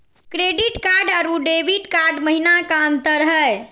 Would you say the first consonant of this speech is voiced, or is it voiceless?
voiceless